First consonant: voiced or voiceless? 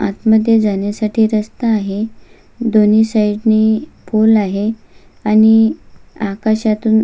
voiceless